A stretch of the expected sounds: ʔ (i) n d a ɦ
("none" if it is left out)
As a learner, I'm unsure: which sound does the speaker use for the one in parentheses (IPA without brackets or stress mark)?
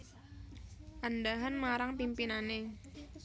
a